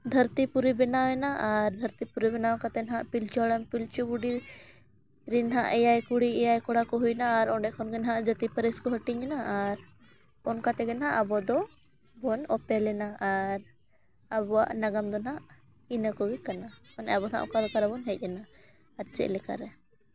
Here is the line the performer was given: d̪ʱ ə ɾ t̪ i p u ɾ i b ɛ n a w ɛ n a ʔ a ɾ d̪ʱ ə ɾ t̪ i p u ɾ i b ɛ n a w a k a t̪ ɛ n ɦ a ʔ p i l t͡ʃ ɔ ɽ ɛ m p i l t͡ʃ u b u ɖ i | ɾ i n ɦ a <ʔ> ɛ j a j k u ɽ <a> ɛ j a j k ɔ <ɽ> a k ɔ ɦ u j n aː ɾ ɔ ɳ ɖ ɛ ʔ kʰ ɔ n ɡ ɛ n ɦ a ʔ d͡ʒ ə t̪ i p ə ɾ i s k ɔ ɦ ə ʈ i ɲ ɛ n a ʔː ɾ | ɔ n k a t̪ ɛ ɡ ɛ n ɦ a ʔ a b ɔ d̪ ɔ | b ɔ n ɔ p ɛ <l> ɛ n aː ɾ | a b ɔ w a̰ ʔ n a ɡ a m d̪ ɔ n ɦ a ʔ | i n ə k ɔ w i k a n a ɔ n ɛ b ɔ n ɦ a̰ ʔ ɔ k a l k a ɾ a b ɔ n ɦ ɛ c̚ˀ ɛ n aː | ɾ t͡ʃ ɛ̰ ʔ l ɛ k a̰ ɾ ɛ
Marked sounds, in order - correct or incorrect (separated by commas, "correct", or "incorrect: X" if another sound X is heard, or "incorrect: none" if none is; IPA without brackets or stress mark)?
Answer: correct, incorrect: i, correct, correct